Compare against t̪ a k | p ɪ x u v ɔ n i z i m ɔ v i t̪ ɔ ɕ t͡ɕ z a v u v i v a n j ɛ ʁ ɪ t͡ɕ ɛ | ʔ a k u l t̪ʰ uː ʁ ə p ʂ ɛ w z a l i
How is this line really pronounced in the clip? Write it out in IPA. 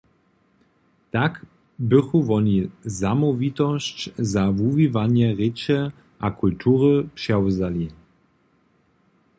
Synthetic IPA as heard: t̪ a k | b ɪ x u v ɔ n i z a m ɔ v i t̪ ɔ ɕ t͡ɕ z a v u v i v a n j ɛ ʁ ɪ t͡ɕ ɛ | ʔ a k u l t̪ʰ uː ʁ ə p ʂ ɛ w z a l i